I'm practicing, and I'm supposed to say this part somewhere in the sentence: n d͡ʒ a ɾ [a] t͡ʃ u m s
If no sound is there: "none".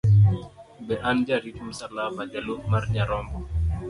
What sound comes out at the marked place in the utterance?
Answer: i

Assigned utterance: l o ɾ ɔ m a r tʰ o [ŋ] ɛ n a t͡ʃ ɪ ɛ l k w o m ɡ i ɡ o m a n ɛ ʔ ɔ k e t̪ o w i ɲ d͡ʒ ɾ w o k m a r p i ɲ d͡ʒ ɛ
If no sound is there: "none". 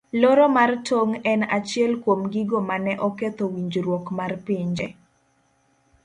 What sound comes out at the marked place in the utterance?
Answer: ŋ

